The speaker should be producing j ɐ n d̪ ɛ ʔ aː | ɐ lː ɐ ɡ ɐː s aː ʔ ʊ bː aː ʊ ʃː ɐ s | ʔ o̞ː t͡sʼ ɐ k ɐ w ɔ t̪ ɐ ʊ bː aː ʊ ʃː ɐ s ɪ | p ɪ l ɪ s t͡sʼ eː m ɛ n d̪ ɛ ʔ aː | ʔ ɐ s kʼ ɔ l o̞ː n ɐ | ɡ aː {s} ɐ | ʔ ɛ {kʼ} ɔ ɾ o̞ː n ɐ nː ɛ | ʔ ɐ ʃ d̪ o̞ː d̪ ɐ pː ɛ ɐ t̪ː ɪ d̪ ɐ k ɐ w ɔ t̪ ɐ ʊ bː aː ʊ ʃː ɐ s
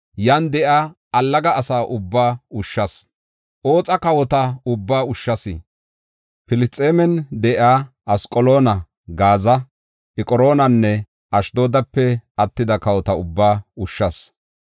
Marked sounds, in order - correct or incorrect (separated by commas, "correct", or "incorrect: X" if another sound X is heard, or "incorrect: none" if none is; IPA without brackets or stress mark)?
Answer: incorrect: z, correct